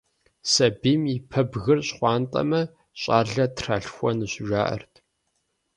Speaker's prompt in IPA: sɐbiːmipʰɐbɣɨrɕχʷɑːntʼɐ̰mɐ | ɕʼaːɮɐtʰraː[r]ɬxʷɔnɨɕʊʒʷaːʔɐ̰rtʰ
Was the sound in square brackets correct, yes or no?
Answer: no